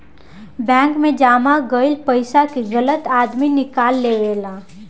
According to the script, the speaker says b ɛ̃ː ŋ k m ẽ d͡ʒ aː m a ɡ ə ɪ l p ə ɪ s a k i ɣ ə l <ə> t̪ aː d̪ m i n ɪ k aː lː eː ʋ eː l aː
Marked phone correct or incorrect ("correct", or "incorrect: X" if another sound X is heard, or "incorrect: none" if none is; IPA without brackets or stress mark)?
correct